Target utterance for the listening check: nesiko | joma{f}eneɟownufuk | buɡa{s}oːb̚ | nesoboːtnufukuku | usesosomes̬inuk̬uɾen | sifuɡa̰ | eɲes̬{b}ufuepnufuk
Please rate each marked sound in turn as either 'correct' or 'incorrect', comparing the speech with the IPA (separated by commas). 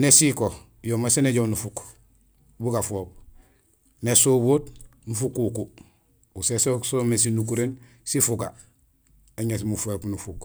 incorrect, incorrect, incorrect